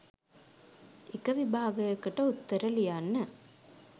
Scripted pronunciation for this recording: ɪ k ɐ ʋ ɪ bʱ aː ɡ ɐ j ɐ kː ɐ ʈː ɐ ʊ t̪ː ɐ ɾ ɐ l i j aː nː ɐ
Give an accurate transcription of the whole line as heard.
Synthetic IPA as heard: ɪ k ɐ ʋ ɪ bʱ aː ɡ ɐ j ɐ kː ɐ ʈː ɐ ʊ t̪ː ɐ ɾ ɐ l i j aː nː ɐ